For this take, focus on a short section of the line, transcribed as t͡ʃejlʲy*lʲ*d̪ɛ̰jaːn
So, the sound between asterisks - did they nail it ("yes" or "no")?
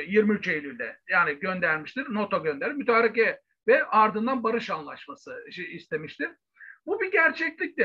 yes